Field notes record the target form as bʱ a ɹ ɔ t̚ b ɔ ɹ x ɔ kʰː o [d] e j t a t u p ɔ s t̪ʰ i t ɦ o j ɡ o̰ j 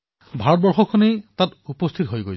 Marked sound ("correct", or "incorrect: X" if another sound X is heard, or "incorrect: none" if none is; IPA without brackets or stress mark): incorrect: n